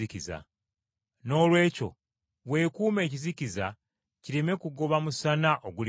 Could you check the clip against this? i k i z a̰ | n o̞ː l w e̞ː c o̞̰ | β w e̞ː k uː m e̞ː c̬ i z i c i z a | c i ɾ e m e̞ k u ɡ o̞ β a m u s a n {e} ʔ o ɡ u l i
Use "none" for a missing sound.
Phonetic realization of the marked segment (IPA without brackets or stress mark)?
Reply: a